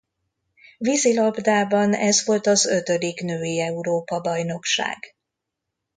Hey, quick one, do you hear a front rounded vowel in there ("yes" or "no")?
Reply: yes